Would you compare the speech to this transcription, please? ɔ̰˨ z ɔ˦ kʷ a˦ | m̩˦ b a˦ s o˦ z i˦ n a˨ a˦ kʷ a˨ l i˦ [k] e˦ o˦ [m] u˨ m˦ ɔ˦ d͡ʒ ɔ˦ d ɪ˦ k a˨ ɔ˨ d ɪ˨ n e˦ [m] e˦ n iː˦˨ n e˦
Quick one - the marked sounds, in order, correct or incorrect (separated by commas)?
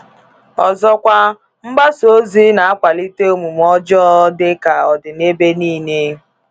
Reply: incorrect, correct, incorrect